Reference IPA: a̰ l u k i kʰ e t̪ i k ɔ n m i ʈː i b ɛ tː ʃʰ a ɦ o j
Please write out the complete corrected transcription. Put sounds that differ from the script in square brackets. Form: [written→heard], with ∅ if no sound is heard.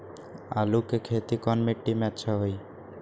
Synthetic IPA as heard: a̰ l u k [i→e] kʰ e t̪ i k ɔ n m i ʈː i [b→m] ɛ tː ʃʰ a ɦ o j

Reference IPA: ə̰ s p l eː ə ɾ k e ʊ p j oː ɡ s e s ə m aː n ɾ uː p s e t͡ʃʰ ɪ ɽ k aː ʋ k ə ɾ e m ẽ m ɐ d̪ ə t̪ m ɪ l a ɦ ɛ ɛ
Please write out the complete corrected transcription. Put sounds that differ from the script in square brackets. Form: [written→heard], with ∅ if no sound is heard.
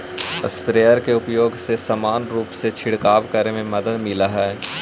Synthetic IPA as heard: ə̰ s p [l→ɾ] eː ə ɾ k e ʊ p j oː ɡ s e s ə m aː n ɾ uː p s e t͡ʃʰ ɪ ɽ k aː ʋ k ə ɾ e m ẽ m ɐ d̪ ə [t̪→d̪] m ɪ l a ɦ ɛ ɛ

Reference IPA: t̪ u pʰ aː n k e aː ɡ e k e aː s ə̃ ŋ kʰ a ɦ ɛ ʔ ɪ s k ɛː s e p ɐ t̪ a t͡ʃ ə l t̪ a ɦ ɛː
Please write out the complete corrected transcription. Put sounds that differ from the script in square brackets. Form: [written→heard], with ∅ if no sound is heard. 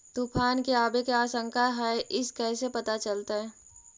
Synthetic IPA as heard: t̪ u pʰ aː n k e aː [ɡ→b] e k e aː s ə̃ ŋ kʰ a ɦ ɛ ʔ ɪ s k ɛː s e p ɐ t̪ a t͡ʃ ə l t̪ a ɦ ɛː

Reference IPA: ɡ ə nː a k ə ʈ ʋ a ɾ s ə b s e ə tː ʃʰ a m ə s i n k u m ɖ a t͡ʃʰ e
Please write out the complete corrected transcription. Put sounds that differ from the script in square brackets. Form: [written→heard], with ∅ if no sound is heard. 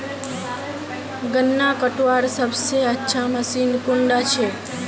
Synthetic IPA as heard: ɡ ə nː a k ə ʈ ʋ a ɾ s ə b s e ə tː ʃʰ a m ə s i n k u [m→ɳ] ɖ a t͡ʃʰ e

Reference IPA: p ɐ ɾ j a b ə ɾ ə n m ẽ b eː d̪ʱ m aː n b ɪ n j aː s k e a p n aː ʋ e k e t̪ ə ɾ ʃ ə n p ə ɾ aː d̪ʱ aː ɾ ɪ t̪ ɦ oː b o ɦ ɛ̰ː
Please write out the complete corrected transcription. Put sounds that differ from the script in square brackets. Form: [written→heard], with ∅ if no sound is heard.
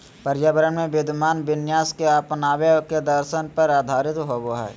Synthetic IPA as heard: p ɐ ɾ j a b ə ɾ ə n m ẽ b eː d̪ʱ m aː n b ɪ n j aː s k e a p n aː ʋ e k e [t̪→d̪] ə ɾ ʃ ə n p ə ɾ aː d̪ʱ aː ɾ ɪ t̪ ɦ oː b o ɦ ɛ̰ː

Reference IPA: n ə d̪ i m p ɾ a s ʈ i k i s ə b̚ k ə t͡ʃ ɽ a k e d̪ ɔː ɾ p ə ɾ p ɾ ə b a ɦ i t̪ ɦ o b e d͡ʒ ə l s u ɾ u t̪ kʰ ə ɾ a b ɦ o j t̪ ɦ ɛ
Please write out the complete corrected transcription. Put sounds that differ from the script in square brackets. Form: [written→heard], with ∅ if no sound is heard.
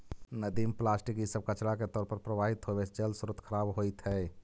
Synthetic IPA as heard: n ə d̪ i m p [ɾ→l] a s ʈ i k i s ə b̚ k ə t͡ʃ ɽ a k e [d̪→t̪] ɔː ɾ p ə ɾ p ɾ ə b a ɦ i t̪ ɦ o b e d͡ʒ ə l s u ɾ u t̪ kʰ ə ɾ a b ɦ o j t̪ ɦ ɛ

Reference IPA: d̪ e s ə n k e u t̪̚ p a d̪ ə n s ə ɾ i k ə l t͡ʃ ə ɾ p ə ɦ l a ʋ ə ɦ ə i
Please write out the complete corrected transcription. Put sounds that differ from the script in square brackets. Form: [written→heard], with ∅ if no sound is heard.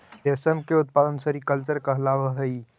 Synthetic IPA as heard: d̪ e s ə [n→m] k e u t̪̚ p a d̪ ə n s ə ɾ i k ə l t͡ʃ ə ɾ [p→k] ə ɦ l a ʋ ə ɦ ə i

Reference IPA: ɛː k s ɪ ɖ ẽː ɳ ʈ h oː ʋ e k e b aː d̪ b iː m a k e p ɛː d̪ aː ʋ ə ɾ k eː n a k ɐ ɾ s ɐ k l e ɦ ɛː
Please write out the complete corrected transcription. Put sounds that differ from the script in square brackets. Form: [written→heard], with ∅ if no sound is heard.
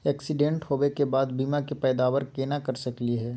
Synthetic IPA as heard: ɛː k s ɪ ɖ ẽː ɳ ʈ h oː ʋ e k e b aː d̪ b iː m a k e p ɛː d̪ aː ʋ ə ɾ k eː n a k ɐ ɾ s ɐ k l [e→i] ɦ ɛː

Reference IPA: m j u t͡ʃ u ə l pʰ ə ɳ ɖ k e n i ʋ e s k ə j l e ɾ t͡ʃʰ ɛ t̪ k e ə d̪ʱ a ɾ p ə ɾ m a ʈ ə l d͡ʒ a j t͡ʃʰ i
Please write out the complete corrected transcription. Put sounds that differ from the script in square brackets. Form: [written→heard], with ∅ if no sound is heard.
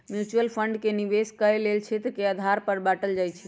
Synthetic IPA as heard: m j u t͡ʃ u ə l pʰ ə ɳ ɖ k e n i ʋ e s k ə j l e [ɾ→l] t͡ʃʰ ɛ t̪ k e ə d̪ʱ a ɾ p ə ɾ [m→b] a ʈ ə l d͡ʒ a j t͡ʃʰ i

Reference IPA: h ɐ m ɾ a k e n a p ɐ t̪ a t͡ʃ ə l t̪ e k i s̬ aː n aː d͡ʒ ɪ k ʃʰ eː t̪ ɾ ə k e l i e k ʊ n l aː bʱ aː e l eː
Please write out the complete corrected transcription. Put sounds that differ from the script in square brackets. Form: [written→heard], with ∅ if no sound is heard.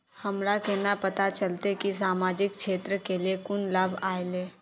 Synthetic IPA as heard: h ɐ m ɾ a k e n a p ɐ t̪ a t͡ʃ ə l t̪ e k i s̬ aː [n→m] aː d͡ʒ ɪ k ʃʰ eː t̪ ɾ ə k e l i e k ʊ n l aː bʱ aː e l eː

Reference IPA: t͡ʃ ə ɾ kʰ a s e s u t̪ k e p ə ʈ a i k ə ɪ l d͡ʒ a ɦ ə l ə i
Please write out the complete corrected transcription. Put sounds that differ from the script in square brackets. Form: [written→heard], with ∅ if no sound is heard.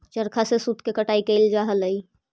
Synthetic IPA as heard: t͡ʃ ə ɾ kʰ a s e s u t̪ k e [p→k] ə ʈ a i k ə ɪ l d͡ʒ a ɦ ə l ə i

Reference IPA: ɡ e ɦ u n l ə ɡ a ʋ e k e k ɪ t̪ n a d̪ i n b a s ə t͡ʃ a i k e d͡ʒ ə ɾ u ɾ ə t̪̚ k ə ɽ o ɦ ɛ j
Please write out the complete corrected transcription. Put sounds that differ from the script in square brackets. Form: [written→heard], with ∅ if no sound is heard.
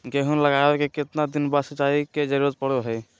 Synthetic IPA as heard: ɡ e ɦ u n l ə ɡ a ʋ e k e k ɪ t̪ n a d̪ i n b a s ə t͡ʃ a i k e d͡ʒ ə ɾ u ɾ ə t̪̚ [k→p] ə ɽ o ɦ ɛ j

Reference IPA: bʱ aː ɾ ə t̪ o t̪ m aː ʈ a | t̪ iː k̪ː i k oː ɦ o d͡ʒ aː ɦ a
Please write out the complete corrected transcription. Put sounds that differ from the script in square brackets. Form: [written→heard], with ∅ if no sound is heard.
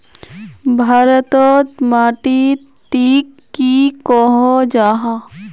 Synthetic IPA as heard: bʱ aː ɾ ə t̪ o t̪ m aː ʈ [a→i] | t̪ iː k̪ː i k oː ɦ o d͡ʒ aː ɦ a

